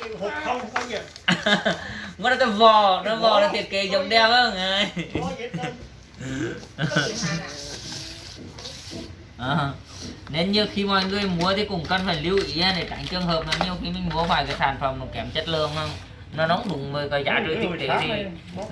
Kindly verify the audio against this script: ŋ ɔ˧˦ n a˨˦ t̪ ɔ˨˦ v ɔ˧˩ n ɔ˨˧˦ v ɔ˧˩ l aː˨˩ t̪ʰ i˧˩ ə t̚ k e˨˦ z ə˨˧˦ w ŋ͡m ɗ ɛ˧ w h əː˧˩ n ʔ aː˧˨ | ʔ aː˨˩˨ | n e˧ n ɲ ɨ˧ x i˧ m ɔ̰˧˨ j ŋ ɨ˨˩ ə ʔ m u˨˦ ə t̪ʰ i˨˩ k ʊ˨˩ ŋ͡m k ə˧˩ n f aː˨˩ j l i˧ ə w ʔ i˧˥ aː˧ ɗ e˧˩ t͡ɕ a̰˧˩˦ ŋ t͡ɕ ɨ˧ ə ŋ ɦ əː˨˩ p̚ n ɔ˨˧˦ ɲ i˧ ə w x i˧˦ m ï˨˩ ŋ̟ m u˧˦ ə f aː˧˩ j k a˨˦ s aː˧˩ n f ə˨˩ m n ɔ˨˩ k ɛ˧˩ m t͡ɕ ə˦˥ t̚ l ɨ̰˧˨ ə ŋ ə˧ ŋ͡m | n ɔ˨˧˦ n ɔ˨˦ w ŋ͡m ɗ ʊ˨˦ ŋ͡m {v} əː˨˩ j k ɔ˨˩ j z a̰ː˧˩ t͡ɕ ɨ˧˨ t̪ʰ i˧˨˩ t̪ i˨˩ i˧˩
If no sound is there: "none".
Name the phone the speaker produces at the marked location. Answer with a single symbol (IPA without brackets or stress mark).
v